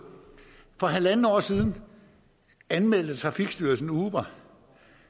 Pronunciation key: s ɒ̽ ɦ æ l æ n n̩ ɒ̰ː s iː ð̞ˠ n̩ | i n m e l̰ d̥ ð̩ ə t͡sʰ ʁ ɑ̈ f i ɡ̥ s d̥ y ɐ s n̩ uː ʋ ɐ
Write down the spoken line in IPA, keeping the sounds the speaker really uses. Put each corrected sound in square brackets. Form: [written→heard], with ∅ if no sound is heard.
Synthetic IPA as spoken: [s→f] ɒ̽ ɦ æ l æ n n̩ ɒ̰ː s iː ð̞ˠ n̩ | [i→æ] n m e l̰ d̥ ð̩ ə t͡sʰ ʁ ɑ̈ f i ɡ̥ s d̥ y ɐ s n̩ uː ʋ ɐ